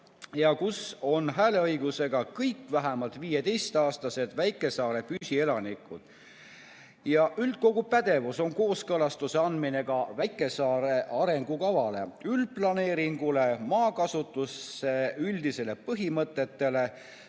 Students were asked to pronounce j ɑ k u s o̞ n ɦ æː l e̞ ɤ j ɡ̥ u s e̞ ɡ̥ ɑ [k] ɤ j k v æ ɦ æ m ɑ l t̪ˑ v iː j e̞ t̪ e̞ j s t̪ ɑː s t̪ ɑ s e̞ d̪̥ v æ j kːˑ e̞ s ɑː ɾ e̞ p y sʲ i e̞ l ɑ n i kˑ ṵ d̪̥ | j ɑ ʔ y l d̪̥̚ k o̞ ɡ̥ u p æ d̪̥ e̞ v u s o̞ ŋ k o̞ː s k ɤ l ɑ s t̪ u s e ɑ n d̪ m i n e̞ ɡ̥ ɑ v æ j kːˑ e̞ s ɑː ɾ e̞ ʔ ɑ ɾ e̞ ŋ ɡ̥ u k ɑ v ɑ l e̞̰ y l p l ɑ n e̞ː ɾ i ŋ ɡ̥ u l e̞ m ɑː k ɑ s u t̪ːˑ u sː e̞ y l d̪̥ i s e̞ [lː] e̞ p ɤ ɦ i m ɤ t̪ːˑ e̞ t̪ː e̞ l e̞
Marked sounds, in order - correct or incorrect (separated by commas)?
correct, incorrect